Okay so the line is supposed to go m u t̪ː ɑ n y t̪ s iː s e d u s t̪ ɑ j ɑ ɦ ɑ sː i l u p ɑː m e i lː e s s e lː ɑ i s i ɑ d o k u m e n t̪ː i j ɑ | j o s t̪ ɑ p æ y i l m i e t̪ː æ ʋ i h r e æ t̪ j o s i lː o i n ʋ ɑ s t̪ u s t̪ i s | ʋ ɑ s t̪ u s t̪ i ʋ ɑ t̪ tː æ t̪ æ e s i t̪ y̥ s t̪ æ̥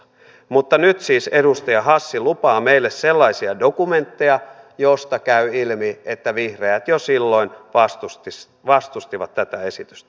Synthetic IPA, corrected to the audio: m u t̪ː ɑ n y t̪ s iː s e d u s t̪ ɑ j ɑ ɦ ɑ sː i l u p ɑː m e i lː e s s e lː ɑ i s i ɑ d o k u m e n t̪ː e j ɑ | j o s t̪ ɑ k æ y i l m i e t̪ː æ ʋ i h r e æ t̪ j o s i lː o i n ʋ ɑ s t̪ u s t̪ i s | ʋ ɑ s t̪ u s t̪ i ʋ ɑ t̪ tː æ t̪ æ e s i t̪ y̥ s t̪ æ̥